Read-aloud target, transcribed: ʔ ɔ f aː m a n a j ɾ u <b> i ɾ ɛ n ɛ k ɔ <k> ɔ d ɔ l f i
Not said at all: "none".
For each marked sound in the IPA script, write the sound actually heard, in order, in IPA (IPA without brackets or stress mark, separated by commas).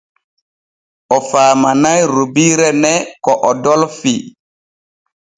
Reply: b, ʔ